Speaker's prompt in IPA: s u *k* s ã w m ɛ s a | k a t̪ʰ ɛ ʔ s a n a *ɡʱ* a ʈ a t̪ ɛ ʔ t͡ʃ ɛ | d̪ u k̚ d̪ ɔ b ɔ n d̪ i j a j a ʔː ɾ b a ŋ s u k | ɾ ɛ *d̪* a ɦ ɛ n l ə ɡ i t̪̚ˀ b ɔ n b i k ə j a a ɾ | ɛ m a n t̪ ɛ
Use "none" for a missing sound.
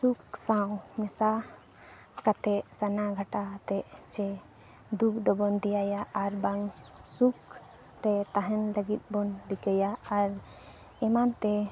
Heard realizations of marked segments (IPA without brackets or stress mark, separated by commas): k, ɡʱ, t̪